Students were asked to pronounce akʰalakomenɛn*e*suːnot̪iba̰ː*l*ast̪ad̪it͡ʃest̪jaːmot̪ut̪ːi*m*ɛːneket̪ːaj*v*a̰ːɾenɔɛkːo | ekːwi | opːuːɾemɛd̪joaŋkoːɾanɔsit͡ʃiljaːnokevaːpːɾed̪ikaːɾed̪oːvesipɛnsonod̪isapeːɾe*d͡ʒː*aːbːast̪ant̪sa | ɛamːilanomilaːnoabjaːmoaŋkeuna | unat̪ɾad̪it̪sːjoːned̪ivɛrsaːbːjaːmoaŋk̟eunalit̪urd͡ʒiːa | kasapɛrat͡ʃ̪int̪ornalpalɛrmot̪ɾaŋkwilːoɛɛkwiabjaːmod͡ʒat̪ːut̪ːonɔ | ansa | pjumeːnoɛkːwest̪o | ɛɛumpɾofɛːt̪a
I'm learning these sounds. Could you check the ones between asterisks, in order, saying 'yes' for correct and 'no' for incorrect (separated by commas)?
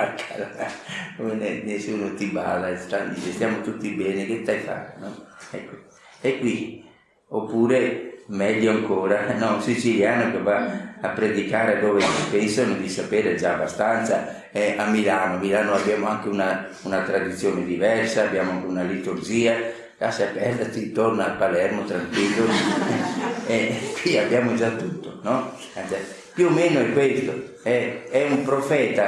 yes, yes, no, no, no